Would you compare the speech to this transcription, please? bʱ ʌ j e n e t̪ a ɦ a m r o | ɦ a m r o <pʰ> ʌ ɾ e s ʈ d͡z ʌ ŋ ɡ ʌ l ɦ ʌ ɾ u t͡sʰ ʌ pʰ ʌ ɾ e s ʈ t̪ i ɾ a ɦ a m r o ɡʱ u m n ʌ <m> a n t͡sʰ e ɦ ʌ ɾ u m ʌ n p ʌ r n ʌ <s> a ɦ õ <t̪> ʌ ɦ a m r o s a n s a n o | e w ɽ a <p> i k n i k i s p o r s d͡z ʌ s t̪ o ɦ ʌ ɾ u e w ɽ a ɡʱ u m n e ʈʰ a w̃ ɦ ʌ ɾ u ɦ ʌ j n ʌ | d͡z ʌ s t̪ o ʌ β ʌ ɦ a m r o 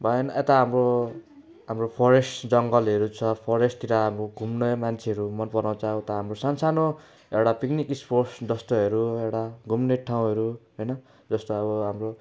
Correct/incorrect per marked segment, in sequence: correct, correct, incorrect: t͡s, correct, correct

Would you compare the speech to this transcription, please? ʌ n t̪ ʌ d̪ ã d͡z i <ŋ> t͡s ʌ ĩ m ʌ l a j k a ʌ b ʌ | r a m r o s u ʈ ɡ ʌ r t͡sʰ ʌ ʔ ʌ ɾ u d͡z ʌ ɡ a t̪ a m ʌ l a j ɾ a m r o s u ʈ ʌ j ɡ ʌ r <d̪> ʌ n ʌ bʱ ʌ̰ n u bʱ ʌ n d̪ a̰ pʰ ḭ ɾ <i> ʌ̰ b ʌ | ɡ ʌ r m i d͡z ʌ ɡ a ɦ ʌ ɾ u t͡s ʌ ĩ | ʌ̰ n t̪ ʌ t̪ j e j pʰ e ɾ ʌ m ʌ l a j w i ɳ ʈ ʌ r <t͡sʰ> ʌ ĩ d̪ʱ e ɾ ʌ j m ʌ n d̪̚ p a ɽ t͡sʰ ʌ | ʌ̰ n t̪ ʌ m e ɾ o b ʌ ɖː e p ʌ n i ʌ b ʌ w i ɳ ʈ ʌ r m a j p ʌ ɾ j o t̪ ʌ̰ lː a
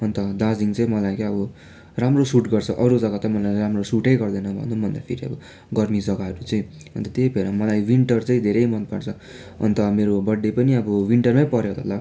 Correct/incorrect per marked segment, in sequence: correct, correct, correct, incorrect: t͡s

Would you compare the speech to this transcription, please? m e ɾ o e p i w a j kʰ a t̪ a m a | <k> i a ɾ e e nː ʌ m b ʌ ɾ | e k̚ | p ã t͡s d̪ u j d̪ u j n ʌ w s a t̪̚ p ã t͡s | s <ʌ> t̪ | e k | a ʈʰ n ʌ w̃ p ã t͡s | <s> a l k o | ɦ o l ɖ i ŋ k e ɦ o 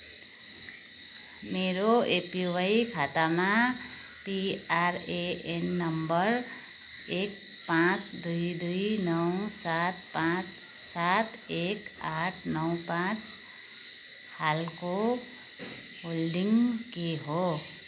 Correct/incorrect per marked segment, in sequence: incorrect: p, incorrect: a, incorrect: h

